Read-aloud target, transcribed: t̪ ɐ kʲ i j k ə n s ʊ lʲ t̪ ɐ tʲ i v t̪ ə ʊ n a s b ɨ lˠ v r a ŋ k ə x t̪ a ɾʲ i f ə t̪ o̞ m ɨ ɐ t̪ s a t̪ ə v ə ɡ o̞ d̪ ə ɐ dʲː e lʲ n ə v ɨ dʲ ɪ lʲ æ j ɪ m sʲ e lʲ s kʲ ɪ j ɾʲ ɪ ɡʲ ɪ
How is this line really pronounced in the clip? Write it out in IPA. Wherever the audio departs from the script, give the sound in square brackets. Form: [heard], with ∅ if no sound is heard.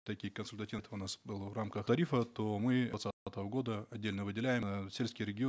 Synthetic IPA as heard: t̪ ɐ kʲ i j k ə n s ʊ lʲ t̪ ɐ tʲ i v t̪ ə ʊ n a s b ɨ lˠ v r a [m] k ə x t̪ [ɐ] ɾʲ i f ə t̪ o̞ m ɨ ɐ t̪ s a t̪ ə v ə ɡ o̞ d̪ ə ɐ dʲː e lʲ n ə v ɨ dʲ ɪ lʲ æ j ɪ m sʲ e lʲ s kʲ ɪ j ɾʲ ɪ ɡʲ ɪ